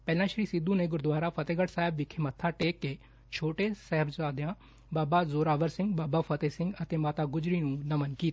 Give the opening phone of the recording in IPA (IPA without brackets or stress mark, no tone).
p